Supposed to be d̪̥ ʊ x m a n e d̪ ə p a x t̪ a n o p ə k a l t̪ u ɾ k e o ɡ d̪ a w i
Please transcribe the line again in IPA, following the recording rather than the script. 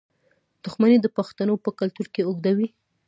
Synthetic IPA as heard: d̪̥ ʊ x m a n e d̪ ə p a x t̪ a n o p ə k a l t̪ u ɾ k e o ɡ d̪ a w i